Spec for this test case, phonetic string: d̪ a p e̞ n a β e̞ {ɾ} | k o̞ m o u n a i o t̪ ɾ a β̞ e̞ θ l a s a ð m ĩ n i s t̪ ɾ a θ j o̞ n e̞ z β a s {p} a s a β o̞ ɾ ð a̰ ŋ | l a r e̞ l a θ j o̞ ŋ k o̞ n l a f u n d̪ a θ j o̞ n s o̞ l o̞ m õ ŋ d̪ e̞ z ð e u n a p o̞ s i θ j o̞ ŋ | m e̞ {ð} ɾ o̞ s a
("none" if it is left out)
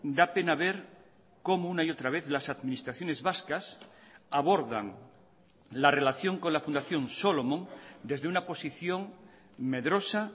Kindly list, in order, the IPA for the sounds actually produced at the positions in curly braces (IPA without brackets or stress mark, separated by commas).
ɾ, k, ð